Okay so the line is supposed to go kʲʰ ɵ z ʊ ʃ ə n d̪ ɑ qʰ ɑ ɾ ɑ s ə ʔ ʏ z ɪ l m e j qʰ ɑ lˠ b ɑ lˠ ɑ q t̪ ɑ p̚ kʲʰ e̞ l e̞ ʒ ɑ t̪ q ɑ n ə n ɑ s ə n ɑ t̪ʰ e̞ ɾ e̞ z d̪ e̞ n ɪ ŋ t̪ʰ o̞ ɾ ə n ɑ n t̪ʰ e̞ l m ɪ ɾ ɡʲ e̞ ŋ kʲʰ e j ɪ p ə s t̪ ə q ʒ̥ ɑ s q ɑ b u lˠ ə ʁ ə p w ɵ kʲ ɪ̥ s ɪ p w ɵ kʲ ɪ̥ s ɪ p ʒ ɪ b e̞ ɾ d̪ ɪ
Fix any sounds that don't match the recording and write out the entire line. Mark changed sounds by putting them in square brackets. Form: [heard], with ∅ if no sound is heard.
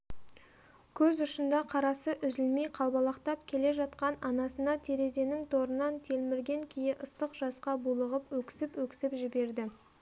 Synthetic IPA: kʲʰ ɵ z ʊ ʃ ə n d̪ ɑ qʰ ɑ ɾ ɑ s ə ʔ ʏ z ɪ l m e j qʰ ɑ lˠ b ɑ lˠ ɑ q t̪ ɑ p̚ kʲʰ e̞ l e̞ ʒ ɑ t̪ q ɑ n [ɑ] n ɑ s ə n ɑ t̪ʰ e̞ ɾ e̞ z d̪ e̞ n ɪ ŋ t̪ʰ o̞ ɾ ə n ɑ n t̪ʰ e̞ l m ɪ ɾ ɡʲ e̞ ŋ kʲʰ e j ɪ [ʔ] ə s t̪ ə q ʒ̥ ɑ s q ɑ b u lˠ ə ʁ ə p w ɵ kʲ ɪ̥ s ɪ p w ɵ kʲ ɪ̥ s ɪ p ʒ ɪ b e̞ ɾ d̪ ɪ